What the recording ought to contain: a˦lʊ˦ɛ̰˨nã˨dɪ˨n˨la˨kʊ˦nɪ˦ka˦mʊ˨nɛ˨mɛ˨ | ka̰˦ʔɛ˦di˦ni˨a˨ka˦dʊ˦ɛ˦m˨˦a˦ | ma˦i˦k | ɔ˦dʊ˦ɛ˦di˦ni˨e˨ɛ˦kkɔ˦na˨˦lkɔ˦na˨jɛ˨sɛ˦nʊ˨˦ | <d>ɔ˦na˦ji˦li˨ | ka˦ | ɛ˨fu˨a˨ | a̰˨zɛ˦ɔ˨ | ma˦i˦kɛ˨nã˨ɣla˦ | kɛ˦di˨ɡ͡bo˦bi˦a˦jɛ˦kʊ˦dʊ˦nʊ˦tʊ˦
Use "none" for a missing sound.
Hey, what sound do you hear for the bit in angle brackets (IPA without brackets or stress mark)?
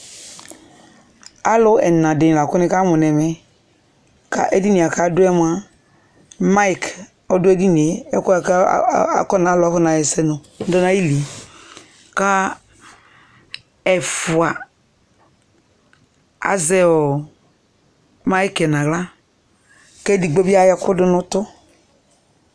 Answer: d